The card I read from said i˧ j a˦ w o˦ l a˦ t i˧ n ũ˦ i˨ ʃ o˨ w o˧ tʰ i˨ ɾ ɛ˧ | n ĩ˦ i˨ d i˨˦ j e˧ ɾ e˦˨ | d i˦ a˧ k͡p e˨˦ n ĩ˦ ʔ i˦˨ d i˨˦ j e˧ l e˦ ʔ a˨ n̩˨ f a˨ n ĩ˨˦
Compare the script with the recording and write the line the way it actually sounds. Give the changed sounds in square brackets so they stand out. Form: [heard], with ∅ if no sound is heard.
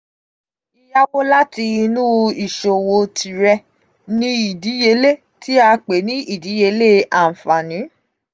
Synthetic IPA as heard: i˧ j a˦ w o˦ l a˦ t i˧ n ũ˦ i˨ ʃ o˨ w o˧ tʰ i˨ ɾ ɛ˧ | n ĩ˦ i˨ d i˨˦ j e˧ [l] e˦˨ | [t] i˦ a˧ k͡p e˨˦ n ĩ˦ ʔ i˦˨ d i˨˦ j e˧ l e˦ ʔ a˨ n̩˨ f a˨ n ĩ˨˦